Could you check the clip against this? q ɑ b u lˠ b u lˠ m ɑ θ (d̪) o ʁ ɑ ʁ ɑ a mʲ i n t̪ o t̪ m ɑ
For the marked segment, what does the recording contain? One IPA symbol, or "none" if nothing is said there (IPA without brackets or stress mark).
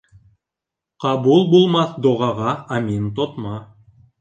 d̪